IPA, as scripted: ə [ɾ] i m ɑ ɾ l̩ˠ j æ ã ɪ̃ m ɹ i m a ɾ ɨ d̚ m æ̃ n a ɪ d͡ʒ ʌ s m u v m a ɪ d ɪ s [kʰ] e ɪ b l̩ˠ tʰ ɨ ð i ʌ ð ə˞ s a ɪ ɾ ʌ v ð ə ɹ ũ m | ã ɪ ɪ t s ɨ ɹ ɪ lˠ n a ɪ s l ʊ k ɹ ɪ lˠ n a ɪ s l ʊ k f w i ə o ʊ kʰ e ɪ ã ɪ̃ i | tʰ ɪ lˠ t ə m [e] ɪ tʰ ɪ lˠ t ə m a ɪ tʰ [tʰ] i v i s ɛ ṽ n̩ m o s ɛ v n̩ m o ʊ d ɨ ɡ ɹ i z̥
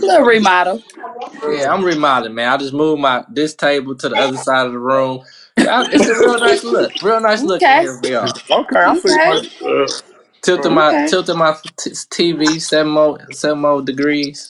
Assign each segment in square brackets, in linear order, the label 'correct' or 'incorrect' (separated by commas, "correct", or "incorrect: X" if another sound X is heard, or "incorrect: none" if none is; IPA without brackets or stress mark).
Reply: incorrect: ɹ, incorrect: tʰ, incorrect: a, correct